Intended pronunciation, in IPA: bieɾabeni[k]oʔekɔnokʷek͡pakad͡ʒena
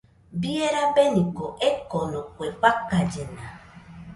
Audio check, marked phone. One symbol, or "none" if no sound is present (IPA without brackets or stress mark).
k